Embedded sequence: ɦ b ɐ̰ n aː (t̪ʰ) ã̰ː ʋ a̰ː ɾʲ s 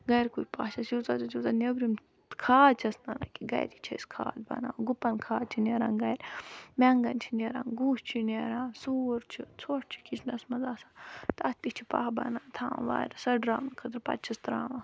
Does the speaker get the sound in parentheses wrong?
no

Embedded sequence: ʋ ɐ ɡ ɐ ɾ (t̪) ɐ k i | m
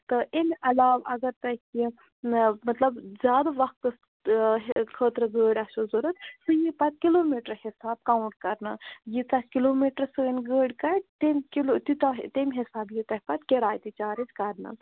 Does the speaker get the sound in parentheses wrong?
no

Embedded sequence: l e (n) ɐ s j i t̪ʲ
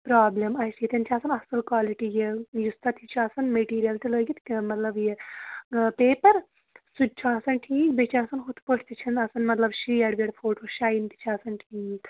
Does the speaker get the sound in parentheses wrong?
yes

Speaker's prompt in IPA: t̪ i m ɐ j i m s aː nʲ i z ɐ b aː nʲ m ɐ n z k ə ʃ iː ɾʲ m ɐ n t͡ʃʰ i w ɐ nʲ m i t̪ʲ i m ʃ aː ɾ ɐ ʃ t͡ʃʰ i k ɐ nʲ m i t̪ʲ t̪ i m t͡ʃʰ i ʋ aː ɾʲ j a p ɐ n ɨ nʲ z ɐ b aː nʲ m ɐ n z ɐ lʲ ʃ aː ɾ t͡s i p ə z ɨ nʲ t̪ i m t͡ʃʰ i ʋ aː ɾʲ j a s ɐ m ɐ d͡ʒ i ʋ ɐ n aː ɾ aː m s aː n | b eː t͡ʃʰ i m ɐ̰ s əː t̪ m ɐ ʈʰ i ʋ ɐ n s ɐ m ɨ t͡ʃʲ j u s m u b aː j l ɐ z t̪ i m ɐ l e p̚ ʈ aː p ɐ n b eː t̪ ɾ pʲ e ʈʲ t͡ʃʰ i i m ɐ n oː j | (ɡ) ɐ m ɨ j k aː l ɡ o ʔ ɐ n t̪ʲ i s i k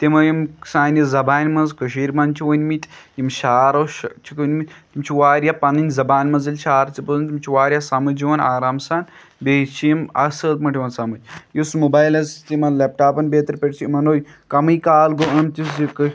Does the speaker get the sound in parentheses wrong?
yes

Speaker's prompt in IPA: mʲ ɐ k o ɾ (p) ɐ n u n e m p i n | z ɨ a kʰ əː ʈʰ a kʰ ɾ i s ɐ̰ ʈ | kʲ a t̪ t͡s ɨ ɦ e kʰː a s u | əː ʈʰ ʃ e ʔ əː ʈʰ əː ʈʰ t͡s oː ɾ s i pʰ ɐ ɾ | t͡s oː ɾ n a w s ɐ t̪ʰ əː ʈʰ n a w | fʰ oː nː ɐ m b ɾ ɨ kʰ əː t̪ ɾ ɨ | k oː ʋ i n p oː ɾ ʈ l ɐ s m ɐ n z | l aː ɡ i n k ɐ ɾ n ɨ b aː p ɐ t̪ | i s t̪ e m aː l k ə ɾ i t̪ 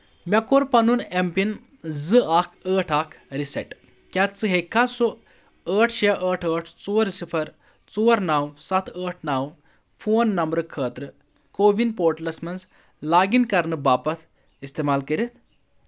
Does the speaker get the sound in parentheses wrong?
no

